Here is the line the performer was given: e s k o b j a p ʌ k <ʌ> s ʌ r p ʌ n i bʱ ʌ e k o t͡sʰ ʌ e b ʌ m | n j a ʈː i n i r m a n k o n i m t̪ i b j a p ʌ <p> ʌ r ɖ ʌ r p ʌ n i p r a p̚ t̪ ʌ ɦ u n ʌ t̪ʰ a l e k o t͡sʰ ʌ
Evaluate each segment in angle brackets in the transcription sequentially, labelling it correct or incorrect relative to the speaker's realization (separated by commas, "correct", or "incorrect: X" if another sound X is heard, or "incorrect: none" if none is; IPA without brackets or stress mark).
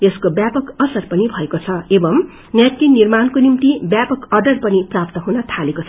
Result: correct, incorrect: k